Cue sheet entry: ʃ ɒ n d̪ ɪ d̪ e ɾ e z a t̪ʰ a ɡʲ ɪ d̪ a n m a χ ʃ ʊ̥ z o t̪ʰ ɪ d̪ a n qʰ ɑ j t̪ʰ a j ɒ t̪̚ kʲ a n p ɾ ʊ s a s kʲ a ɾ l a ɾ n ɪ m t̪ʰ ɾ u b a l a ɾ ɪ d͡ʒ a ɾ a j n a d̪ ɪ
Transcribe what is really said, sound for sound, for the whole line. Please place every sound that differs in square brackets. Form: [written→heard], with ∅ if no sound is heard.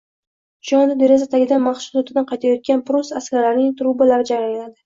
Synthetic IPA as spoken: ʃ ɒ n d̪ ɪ d̪ e ɾ e z a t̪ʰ a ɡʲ ɪ d̪ a n m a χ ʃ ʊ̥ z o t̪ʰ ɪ d̪ a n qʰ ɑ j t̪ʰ a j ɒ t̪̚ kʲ a n p ɾ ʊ s a s kʲ a ɾ l a ɾ n ɪ [m→ŋ] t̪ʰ ɾ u b a l a ɾ ɪ d͡ʒ a ɾ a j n a d̪ ɪ